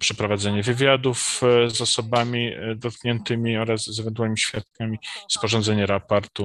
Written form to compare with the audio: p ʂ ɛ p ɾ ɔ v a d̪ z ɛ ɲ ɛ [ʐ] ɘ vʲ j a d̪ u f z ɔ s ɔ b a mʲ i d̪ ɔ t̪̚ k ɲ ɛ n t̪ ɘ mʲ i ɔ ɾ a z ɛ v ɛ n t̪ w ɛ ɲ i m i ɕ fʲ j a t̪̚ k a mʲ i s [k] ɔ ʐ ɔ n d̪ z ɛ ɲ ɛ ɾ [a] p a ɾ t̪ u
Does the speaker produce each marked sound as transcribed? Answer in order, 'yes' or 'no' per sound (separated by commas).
no, no, yes